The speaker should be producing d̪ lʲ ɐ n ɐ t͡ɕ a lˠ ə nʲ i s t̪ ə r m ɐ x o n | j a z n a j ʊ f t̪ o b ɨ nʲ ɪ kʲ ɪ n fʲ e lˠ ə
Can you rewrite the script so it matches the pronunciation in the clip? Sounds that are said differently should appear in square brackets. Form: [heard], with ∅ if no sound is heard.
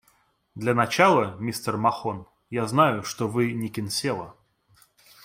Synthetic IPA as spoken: d̪ lʲ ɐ n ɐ t͡ɕ a lˠ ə [mʲ] i s t̪ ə r m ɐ x o n | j a z n a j ʊ [ʂ] t̪ o [v] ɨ nʲ ɪ kʲ ɪ n [sʲ] e lˠ ə